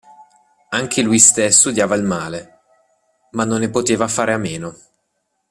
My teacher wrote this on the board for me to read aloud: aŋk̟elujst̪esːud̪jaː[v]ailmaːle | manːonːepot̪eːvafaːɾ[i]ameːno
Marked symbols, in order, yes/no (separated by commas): yes, no